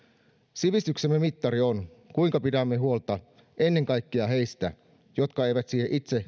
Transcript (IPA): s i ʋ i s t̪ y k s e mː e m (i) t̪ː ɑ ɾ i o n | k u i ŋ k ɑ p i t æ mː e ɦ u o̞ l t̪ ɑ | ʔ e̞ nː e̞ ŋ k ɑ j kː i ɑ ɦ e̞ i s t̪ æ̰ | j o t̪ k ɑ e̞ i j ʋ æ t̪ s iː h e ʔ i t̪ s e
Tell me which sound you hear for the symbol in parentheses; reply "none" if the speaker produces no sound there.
i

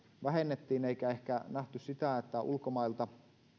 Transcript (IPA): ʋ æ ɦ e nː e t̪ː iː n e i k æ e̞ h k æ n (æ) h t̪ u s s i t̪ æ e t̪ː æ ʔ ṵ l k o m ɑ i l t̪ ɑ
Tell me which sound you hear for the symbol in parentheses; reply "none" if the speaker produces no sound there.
æ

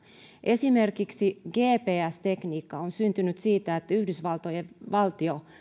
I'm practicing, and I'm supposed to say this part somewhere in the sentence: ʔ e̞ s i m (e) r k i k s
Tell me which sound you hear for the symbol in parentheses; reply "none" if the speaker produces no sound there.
e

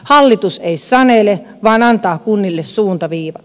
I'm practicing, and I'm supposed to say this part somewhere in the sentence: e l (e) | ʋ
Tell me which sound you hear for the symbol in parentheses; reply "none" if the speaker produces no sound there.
e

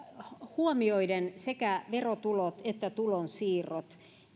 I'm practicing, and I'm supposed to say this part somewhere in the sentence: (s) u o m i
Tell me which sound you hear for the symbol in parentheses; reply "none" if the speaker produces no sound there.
h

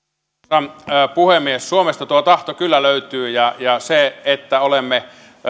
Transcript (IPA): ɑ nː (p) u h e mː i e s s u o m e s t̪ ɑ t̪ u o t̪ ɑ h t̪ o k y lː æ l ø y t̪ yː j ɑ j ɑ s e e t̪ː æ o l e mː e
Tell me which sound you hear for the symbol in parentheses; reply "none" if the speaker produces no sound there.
p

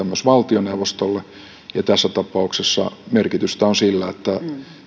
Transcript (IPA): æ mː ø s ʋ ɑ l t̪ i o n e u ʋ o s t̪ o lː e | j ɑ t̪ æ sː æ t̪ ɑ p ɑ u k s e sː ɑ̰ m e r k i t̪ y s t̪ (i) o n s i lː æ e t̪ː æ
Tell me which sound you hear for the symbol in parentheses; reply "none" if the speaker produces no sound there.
æ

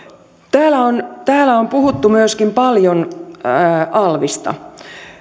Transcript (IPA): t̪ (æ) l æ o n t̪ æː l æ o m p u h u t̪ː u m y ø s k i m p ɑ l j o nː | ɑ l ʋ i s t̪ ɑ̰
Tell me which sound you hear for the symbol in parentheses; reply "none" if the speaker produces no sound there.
æː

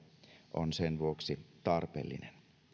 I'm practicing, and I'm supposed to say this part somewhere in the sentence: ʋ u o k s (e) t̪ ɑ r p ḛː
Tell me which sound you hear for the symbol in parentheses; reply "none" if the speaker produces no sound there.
i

